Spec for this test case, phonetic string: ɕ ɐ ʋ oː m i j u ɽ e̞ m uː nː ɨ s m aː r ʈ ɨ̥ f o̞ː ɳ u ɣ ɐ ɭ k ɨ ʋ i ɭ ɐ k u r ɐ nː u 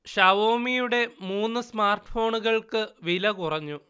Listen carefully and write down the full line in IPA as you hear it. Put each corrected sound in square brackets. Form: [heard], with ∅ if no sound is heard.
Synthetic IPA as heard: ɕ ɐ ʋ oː m i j u ɽ e̞ m uː nː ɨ s m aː r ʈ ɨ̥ f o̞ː ɳ u ɣ ɐ ɭ k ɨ ʋ i [l] ɐ k u r ɐ [ɲː] u